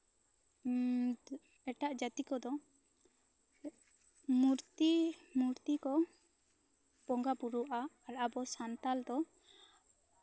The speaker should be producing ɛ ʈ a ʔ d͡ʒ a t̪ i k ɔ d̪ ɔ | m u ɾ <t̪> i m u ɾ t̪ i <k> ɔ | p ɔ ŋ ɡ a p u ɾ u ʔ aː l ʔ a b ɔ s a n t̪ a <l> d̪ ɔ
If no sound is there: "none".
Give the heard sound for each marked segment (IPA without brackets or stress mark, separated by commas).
t̪, k, l